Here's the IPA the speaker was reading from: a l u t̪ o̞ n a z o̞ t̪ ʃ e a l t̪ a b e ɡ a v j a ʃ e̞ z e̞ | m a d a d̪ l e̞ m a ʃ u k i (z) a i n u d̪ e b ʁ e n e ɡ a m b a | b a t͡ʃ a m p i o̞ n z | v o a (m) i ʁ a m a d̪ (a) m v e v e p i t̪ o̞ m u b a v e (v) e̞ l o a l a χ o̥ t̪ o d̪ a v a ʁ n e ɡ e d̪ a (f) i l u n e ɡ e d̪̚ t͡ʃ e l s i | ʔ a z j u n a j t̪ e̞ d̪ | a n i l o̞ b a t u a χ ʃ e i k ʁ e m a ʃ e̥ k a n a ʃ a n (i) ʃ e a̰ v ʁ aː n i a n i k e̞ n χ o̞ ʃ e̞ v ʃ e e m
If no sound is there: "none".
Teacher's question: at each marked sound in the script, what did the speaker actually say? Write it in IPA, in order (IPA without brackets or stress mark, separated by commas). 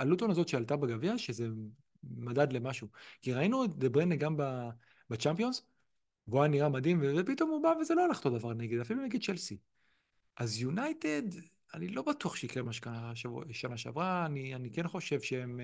ʁ, n, i, z, f, a